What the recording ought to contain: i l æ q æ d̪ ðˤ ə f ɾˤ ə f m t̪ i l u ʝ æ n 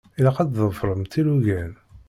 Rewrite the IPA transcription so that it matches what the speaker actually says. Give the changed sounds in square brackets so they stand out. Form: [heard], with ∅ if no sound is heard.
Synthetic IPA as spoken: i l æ q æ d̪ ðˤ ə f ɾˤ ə [∅] m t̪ i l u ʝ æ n